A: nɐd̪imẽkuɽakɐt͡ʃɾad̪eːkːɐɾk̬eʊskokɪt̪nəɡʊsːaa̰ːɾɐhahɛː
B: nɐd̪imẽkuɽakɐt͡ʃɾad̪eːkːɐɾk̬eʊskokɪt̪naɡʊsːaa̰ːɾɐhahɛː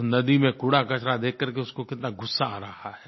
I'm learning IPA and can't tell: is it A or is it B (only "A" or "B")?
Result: B